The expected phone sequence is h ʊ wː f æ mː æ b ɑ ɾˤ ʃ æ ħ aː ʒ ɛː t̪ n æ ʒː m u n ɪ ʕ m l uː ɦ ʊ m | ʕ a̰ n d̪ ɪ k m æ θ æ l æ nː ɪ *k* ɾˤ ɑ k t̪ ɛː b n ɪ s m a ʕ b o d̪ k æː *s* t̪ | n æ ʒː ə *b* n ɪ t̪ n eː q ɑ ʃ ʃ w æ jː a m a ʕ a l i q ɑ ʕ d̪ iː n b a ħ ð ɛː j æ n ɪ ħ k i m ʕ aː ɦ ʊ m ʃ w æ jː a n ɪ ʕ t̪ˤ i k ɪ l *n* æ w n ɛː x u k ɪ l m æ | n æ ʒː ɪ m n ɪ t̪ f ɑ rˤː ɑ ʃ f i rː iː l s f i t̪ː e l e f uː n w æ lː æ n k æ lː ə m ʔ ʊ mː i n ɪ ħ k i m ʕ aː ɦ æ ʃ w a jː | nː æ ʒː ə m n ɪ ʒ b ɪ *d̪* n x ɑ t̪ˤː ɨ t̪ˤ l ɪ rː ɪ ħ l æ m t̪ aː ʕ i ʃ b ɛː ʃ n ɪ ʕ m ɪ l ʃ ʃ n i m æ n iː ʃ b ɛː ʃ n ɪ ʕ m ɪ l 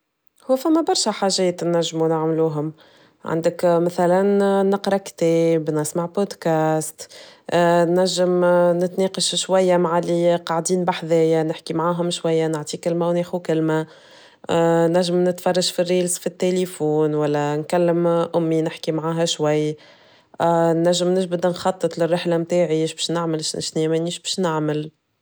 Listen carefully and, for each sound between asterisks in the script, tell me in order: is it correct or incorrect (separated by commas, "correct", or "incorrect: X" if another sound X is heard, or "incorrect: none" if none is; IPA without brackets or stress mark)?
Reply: incorrect: q, correct, incorrect: m, incorrect: m, correct